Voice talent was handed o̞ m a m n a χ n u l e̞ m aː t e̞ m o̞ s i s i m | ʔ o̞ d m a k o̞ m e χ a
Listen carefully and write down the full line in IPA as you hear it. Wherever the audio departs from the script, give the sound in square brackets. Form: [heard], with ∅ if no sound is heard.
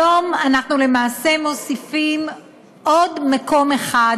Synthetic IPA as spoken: o̞ m a [∅] n a χ n u l e̞ m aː [s] e̞ m o̞ s i [f] i m | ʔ o̞ d m a k o̞ m e χ a